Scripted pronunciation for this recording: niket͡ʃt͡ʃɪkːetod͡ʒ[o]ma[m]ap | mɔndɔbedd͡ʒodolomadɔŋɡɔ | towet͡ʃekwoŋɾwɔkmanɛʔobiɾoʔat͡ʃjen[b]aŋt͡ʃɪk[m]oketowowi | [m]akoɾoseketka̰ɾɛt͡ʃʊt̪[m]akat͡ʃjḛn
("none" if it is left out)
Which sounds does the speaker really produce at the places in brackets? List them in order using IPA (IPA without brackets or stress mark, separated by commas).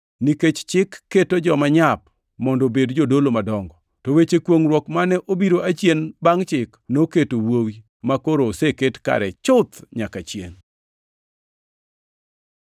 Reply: ɔ, ɲ, b, n, m, ɲ